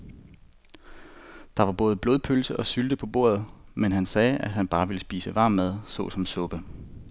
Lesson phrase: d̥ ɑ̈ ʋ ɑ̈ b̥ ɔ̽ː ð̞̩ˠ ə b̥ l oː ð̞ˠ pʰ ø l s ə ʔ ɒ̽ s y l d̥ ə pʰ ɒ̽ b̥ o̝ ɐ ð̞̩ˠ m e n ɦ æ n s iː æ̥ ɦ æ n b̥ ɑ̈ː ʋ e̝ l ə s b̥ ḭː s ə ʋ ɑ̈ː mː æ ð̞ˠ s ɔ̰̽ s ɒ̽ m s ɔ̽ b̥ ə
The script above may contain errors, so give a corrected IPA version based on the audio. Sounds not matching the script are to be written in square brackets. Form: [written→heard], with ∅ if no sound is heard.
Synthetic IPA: d̥ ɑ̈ ʋ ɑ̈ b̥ ɔ̽ː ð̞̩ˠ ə b̥ l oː ð̞ˠ pʰ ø l s ə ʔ ɒ̽ s y l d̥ ə pʰ ɒ̽ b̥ o̝ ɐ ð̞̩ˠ m e n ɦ æ n s [iː→ɛː] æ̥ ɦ æ n b̥ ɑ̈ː ʋ e̝ l ə s b̥ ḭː s ə ʋ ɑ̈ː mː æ ð̞ˠ s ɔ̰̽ s ɒ̽ m s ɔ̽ b̥ ə